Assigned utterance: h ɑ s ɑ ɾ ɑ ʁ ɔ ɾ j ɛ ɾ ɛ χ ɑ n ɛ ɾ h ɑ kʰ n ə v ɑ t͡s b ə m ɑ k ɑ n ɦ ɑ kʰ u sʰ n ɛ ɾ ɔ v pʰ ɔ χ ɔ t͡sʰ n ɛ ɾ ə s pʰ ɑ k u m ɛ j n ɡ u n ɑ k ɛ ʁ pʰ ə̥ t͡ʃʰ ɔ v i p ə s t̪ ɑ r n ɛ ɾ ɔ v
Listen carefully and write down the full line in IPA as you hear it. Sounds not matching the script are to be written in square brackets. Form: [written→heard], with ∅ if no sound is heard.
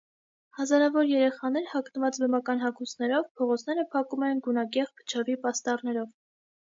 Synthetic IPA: h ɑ [s→z] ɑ ɾ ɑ [ʁ→v] ɔ ɾ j ɛ ɾ ɛ χ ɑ n ɛ ɾ h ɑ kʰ n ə v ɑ t͡s b ə m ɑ k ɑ n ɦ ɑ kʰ u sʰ n ɛ ɾ ɔ v pʰ ɔ [χ→ʁ] ɔ t͡sʰ n ɛ ɾ ə [s→∅] pʰ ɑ k u m ɛ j n ɡ u n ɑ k ɛ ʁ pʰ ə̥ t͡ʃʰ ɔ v i p [ə→ɑ] s t̪ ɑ r n ɛ ɾ ɔ v